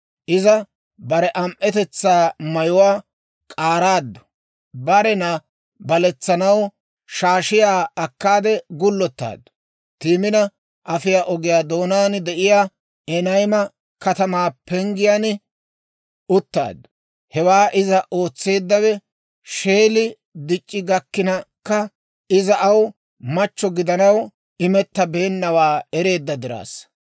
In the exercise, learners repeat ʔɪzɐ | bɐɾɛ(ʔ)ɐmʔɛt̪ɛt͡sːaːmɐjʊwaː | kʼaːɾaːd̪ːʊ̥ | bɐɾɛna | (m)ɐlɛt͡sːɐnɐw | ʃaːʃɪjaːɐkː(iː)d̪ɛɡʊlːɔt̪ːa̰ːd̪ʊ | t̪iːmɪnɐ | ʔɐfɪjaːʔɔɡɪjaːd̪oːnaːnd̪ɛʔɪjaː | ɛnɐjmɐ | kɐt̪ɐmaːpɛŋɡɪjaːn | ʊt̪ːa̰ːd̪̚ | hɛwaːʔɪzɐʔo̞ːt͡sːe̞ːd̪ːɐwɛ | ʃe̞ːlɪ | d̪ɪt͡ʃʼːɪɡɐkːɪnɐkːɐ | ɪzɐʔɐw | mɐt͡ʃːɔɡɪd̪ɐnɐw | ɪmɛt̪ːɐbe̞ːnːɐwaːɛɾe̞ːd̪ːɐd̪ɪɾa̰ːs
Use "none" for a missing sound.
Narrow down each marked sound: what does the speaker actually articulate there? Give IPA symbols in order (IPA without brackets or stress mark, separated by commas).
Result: ʔ, b, aː